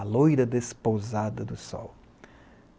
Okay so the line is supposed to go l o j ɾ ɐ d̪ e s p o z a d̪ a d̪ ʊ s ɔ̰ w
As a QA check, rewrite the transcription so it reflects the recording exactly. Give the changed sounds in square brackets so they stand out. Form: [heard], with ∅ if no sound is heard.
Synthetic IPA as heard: l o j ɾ ɐ d̪ e s p o z a d̪ [ɐ] d̪ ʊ s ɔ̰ w